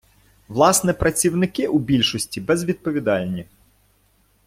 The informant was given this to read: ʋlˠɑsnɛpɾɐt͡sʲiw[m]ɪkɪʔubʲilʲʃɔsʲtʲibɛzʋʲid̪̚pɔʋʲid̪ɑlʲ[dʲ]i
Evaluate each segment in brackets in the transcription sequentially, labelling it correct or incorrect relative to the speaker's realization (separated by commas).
incorrect, incorrect